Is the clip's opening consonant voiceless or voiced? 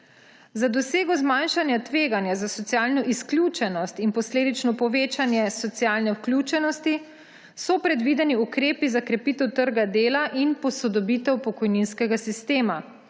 voiced